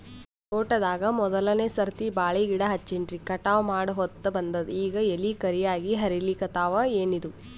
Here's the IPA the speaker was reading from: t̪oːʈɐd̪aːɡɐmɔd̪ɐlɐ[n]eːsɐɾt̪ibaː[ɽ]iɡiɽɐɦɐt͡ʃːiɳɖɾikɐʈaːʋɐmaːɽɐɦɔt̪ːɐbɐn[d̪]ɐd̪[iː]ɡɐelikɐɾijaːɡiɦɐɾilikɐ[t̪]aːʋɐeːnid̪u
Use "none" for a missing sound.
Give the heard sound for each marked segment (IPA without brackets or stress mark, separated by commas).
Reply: n, ɭ, d̪, iː, t̪